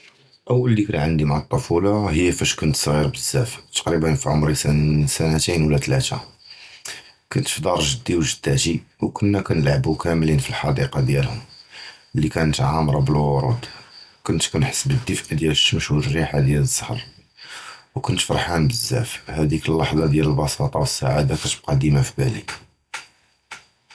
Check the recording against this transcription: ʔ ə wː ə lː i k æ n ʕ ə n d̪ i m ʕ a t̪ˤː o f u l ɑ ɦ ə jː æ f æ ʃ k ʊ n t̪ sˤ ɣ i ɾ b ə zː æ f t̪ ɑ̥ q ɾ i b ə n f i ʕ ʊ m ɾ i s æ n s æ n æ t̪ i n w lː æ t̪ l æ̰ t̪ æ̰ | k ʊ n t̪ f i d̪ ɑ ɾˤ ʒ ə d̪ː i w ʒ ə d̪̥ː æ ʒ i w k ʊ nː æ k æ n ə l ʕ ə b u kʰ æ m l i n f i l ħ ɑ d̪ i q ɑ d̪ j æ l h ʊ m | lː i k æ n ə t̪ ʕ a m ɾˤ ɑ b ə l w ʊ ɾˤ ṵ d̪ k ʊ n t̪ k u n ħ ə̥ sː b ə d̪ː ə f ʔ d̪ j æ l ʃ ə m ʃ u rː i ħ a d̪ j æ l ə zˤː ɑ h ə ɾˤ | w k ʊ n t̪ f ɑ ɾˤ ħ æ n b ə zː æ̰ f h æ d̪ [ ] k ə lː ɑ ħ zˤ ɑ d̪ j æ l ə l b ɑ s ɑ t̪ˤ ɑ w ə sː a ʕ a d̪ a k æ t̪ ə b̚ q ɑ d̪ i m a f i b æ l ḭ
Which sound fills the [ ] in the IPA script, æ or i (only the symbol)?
i